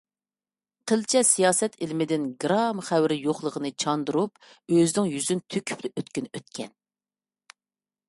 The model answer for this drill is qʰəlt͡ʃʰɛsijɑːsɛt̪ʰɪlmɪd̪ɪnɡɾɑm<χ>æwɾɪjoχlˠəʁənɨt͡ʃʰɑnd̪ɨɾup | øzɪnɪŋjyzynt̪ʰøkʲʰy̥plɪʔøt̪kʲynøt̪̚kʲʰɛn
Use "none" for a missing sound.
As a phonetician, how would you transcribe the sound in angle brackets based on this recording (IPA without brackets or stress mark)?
χ